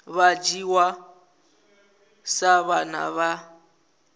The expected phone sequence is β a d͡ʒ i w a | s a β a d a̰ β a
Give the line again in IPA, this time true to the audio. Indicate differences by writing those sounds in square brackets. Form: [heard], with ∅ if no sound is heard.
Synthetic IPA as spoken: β a d͡ʒ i w a | s a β a [n] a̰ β a